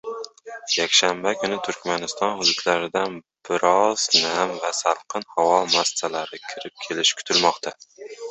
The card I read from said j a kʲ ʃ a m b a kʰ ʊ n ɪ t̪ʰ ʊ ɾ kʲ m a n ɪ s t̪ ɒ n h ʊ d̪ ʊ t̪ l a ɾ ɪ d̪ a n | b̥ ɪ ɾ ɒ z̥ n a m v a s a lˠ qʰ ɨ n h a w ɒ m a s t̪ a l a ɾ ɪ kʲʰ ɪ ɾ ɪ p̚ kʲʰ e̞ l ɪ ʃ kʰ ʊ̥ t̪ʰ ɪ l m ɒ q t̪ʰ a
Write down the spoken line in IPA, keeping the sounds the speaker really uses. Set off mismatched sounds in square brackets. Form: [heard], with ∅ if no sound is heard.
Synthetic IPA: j a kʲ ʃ a m b a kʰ ʊ n ɪ t̪ʰ ʊ ɾ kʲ m a n ɪ s t̪ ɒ n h ʊ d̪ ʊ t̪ l a ɾ ɪ d̪ a n | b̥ ɪ ɾ ɒ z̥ n a m v a s a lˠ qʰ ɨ n h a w ɒ m a s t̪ a l a ɾ ɪ kʲʰ ɪ ɾ ɪ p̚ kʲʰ e̞ l ɪ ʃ kʰ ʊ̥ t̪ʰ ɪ l m ɒ q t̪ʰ a